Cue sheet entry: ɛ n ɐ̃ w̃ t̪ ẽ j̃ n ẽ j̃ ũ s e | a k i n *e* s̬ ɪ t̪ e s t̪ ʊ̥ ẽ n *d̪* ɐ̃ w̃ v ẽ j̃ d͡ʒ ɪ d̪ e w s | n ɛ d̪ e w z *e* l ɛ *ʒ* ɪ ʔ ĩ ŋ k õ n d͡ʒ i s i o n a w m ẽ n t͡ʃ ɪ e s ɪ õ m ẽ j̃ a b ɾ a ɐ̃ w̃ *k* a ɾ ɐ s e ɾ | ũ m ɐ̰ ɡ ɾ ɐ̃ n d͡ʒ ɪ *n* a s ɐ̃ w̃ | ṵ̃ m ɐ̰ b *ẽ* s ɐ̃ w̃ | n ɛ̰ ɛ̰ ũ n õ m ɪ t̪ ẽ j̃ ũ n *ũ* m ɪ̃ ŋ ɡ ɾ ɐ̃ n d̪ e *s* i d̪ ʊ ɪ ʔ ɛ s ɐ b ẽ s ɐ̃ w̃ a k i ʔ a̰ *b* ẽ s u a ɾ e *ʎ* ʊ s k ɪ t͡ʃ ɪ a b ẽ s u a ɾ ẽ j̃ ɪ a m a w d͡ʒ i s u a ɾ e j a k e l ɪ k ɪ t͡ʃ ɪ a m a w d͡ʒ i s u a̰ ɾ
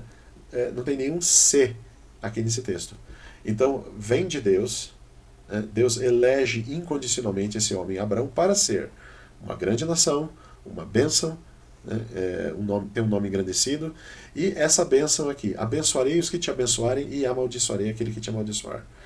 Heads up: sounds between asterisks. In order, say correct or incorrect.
correct, incorrect, correct, correct, incorrect, correct, correct, incorrect, correct, correct, incorrect

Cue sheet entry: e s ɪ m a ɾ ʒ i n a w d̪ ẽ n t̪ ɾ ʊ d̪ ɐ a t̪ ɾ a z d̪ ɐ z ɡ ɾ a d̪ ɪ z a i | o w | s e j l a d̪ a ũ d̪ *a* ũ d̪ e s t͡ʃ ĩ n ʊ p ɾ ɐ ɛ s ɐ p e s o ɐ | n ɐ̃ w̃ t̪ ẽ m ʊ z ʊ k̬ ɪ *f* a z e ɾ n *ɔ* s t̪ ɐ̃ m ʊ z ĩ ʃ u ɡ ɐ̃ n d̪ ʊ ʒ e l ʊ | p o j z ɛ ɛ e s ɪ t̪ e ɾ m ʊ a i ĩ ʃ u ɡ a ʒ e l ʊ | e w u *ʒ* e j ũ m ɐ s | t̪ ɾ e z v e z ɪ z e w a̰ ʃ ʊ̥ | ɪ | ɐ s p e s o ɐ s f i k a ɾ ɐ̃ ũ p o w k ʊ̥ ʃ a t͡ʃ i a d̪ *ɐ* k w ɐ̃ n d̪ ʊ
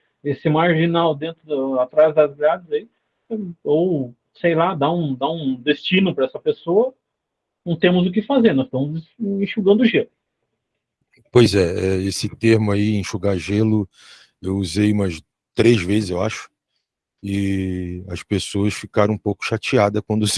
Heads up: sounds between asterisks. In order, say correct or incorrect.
correct, correct, correct, incorrect, correct

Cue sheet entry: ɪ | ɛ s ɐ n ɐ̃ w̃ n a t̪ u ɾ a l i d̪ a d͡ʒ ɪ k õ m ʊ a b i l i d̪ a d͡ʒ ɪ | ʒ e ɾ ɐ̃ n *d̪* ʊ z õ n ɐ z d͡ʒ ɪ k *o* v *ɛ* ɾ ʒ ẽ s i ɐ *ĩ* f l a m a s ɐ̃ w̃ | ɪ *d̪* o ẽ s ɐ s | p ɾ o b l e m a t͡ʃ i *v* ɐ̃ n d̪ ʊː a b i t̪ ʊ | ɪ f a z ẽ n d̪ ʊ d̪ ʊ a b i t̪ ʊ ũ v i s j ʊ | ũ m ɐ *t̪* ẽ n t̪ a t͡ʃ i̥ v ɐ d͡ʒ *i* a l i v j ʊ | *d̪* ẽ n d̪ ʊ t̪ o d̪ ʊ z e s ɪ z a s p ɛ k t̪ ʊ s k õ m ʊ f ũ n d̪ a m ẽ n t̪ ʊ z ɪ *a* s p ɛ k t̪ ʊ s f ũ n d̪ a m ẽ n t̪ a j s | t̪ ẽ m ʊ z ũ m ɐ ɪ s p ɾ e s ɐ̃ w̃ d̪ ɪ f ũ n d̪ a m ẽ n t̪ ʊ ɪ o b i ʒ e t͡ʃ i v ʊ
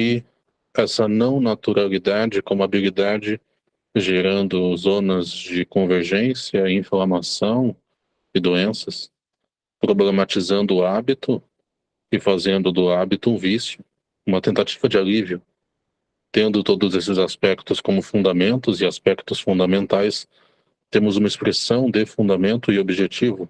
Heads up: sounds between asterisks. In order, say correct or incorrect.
correct, incorrect, incorrect, correct, correct, incorrect, correct, incorrect, incorrect, correct

